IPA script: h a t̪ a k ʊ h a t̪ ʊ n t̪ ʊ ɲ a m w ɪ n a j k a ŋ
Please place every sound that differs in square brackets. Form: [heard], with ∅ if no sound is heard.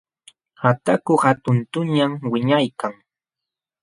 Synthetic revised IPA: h a t̪ a k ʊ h a t̪ ʊ n t̪ ʊ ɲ a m w ɪ [ɲ] a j k a ŋ

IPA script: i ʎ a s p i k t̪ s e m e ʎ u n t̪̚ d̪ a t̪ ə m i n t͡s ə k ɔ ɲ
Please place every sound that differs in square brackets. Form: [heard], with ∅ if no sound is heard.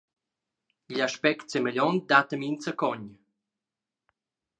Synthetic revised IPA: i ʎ a [ʃ] p [ɛ] k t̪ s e m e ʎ [ɔ] n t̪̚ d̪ a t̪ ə m i n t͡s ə k ɔ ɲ

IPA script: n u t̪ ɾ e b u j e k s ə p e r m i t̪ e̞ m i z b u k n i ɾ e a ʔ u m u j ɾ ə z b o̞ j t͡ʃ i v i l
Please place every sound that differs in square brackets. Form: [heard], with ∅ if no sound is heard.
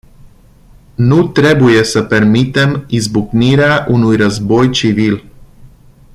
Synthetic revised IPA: n u t̪ ɾ e b u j e [∅] s ə p e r m i t̪ e̞ m i z b u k n i ɾ e a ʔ u [n] u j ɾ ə z b o̞ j t͡ʃ i v i l

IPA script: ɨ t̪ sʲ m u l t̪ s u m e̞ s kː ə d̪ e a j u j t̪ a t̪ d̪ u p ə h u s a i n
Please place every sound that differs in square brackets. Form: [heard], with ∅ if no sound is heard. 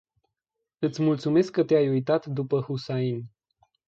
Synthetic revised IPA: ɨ t̪ sʲ m u l t̪ s u m e̞ s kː ə [t̪] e a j u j t̪ a t̪ d̪ u p ə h u s a i n

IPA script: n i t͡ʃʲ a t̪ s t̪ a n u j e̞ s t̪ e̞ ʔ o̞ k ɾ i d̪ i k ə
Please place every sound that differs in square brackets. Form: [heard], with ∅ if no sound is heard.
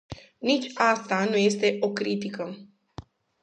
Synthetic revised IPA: n i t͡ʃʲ a [∅] s t̪ a n u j e̞ s t̪ e̞ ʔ o̞ k ɾ i [t̪] i k ə

